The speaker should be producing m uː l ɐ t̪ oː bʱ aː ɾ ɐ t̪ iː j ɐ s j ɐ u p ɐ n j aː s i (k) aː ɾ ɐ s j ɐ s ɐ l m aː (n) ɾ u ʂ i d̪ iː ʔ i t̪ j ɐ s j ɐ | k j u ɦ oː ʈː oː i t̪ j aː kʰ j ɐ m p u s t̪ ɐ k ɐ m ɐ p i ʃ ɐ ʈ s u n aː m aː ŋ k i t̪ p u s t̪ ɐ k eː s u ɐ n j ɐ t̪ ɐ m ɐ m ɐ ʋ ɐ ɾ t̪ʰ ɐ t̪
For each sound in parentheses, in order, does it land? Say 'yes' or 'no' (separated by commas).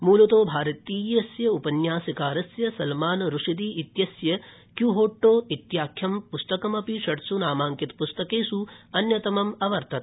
yes, yes